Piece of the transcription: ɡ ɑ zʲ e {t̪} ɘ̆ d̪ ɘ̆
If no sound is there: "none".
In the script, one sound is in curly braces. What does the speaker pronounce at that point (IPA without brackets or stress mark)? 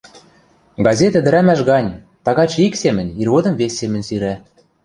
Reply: t̪